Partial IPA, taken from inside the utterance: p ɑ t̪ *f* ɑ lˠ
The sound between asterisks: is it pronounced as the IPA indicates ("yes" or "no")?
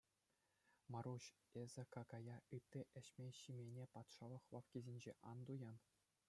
no